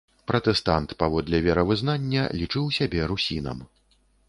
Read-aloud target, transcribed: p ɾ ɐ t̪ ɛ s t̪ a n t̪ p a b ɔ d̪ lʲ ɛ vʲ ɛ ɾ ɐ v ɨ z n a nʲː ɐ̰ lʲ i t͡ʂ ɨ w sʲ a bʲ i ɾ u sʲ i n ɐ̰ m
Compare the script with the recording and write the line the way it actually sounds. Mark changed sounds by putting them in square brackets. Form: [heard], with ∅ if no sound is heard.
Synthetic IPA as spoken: p ɾ ɐ t̪ ɛ s t̪ a n t̪ p a [v] ɔ d̪ lʲ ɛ vʲ ɛ ɾ ɐ v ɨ z n a nʲː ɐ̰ lʲ i t͡ʂ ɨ w sʲ a bʲ [ɛ] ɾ u sʲ i n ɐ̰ m